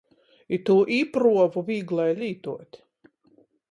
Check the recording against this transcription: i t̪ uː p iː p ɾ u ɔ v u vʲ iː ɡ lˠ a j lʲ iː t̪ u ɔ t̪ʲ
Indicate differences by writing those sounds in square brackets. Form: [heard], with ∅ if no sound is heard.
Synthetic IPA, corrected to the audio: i t̪ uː [ʔ] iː p ɾ u ɔ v u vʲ iː ɡ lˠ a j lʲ iː t̪ u ɔ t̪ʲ